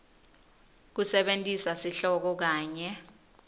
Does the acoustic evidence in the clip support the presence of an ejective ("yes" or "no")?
yes